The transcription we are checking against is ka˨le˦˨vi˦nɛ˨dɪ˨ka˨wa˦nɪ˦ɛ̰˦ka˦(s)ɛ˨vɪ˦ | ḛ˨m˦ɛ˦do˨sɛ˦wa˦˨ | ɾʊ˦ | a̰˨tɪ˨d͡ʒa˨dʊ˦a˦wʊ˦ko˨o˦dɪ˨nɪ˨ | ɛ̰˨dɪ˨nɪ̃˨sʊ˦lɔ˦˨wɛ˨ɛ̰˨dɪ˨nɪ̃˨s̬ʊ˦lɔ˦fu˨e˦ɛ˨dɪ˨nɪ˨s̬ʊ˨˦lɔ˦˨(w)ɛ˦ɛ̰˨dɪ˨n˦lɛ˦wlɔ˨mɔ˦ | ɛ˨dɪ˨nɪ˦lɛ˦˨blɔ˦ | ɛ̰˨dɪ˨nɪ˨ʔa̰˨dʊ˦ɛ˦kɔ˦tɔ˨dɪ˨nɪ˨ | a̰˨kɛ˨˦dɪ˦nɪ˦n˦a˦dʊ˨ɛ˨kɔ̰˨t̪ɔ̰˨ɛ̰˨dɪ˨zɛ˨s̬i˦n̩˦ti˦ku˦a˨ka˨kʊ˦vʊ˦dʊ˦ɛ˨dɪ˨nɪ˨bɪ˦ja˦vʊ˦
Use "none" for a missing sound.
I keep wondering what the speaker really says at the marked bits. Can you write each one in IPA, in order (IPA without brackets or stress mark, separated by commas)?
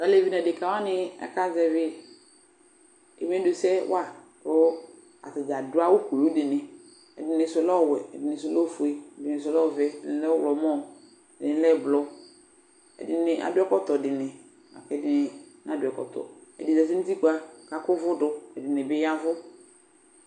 z, v